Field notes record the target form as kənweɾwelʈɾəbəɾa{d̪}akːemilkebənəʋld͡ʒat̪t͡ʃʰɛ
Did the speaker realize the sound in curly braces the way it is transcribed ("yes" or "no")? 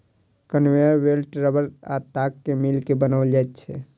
no